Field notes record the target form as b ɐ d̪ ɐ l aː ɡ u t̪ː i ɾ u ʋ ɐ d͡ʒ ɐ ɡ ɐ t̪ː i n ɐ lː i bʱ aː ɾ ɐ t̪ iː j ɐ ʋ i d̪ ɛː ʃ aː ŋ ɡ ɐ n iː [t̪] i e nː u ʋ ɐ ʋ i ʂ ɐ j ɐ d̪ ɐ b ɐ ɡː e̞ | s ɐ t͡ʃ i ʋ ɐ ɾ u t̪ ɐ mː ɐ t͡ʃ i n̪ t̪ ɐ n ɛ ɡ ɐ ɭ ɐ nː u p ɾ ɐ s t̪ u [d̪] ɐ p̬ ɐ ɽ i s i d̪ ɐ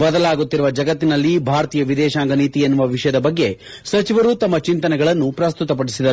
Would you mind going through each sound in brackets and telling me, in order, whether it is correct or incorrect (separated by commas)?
correct, incorrect